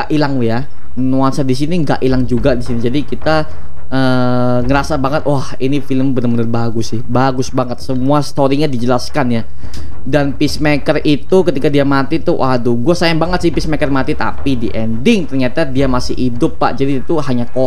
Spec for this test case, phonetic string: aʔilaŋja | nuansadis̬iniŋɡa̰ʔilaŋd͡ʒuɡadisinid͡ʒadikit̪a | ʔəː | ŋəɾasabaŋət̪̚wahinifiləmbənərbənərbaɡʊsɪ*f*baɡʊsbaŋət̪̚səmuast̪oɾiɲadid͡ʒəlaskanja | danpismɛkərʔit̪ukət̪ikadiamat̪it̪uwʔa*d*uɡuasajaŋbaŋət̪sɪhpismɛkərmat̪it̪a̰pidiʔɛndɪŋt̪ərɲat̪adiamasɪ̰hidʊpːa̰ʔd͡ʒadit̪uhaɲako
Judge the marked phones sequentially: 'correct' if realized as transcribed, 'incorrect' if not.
incorrect, correct

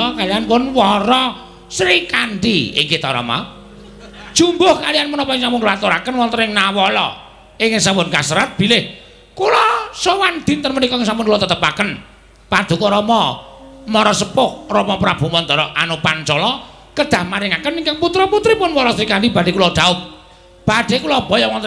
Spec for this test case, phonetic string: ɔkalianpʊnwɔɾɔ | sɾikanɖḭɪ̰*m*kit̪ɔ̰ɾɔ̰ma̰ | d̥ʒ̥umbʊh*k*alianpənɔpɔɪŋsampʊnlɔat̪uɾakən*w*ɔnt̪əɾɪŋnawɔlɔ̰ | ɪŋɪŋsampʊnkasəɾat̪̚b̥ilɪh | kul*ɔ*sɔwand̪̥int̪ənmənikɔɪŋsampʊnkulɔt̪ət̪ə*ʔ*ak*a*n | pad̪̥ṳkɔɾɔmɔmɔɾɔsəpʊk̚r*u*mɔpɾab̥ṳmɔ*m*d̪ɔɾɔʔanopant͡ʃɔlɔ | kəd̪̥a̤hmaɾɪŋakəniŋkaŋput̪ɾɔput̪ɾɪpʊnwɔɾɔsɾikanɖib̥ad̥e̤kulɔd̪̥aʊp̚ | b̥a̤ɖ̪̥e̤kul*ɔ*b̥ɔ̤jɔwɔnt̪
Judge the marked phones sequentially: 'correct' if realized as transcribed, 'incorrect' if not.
incorrect, correct, correct, correct, incorrect, incorrect, incorrect, incorrect, correct

